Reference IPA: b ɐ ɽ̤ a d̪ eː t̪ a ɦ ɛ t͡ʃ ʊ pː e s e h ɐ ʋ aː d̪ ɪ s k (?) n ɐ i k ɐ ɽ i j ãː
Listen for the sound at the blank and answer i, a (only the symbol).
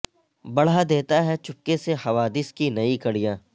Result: i